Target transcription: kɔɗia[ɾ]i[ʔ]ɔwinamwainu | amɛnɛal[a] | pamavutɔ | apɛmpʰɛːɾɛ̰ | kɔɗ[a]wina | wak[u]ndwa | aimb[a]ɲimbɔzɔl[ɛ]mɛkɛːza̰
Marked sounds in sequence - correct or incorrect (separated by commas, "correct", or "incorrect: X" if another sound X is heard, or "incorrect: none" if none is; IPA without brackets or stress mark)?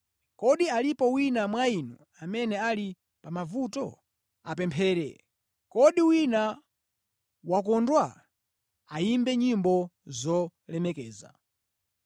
incorrect: l, incorrect: p, incorrect: i, incorrect: i, incorrect: ɔ, incorrect: ɛ, correct